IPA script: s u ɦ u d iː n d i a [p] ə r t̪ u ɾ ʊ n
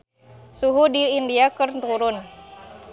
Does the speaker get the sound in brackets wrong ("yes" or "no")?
yes